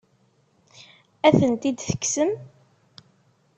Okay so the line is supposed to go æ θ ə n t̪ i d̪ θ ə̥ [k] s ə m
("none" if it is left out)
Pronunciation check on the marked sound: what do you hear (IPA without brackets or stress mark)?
k